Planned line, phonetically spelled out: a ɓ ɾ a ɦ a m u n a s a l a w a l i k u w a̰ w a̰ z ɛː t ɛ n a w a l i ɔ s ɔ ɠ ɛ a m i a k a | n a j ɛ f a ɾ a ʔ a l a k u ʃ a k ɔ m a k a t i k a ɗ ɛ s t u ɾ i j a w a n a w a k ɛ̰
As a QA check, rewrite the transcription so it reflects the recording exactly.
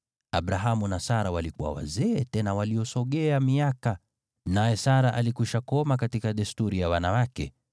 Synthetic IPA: a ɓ ɾ a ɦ a m u n a s a ɾ a w a l i k u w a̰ w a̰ z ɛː t ɛ n a w a l i ɔ s ɔ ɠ ɛ a m i a k a | n a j ɛ s a ɾ a ʔ a l i k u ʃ a k ɔ m a k a t i k a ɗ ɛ s t u ɾ i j a w a n a w a k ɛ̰